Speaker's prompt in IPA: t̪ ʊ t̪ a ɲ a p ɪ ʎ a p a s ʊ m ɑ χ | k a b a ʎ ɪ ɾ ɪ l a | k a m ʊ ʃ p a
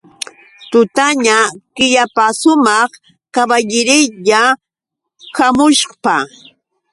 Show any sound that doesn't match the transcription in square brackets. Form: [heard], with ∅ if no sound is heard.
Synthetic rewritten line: t̪ ʊ t̪ a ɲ a [k] ɪ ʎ a p a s ʊ m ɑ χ | k a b a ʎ ɪ ɾ ɪ [ʎ] a | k a m ʊ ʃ p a